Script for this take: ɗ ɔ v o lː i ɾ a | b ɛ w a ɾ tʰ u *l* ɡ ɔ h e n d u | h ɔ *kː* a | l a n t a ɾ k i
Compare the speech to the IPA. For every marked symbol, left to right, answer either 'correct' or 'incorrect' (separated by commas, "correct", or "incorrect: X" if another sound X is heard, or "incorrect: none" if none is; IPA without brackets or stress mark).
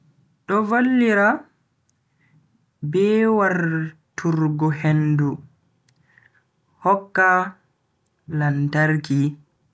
incorrect: ɾ, correct